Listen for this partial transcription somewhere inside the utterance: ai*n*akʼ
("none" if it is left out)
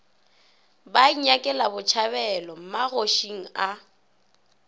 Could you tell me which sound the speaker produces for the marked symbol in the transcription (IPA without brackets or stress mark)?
ɲ